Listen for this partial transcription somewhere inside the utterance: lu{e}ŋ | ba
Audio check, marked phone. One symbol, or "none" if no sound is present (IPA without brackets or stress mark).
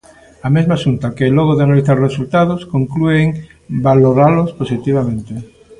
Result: e